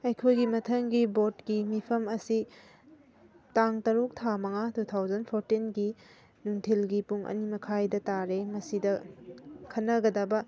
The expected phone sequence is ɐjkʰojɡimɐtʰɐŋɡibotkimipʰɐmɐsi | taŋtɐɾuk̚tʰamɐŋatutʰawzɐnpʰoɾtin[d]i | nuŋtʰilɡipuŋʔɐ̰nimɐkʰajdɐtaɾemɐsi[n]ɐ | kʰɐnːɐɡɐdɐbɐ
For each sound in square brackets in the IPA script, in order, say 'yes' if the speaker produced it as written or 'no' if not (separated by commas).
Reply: no, no